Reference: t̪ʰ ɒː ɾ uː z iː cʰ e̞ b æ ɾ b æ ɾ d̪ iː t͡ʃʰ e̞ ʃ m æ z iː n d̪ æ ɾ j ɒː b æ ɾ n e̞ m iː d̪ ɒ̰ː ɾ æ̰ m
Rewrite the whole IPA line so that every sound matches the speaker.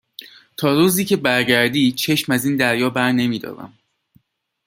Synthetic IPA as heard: t̪ʰ ɒː ɾ uː z iː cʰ e̞ b æ ɾ ɟ æ ɾ d̪ iː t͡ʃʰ e̞ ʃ m æ z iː n d̪ æ ɾ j ɒː b æ ɾ n e̞ m iː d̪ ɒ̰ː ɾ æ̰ m